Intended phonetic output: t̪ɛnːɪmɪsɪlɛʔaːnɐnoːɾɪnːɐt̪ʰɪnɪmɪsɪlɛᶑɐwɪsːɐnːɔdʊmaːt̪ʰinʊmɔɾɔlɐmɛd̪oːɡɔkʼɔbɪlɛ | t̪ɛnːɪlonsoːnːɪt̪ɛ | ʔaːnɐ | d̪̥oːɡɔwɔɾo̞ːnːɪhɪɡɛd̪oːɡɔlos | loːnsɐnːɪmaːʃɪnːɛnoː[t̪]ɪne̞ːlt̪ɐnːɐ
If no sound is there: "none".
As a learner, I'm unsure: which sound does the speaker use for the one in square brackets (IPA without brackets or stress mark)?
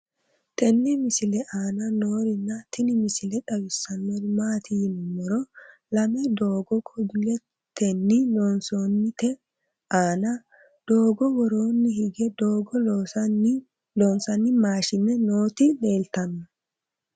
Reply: t̪